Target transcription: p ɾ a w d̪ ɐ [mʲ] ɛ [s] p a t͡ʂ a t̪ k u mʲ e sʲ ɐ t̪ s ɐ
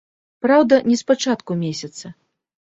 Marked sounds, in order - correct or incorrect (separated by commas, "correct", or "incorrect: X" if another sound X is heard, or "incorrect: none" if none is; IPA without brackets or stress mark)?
incorrect: nʲ, correct